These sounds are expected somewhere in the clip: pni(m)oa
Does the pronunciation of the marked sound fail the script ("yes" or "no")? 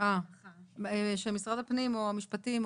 no